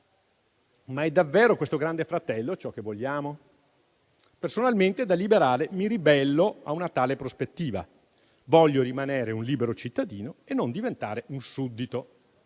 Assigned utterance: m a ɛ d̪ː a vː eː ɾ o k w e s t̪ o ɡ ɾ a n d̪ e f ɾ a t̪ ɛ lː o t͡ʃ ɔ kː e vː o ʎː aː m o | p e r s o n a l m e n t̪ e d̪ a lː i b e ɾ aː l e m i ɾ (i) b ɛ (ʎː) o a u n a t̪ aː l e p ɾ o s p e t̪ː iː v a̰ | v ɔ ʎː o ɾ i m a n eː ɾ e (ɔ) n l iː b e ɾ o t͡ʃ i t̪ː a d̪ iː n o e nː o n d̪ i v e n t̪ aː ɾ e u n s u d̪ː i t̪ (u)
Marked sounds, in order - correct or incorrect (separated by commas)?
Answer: correct, incorrect, incorrect, incorrect